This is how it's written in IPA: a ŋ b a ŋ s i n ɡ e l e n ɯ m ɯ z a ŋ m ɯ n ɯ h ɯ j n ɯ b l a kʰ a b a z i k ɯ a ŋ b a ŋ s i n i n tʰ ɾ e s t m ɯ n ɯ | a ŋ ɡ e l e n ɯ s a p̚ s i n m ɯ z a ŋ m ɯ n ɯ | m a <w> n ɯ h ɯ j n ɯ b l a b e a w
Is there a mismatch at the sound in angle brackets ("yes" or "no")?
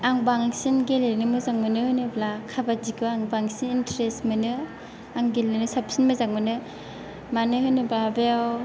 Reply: yes